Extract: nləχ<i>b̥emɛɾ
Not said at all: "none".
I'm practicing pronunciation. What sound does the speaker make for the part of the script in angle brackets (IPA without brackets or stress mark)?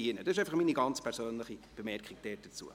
i